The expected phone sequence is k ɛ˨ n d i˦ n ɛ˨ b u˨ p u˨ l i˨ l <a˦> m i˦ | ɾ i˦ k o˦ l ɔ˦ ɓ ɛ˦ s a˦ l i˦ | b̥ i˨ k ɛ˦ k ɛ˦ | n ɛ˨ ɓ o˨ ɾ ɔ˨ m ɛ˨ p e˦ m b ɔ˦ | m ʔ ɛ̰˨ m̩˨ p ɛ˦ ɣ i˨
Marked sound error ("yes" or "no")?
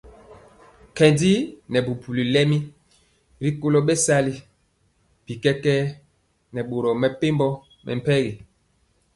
yes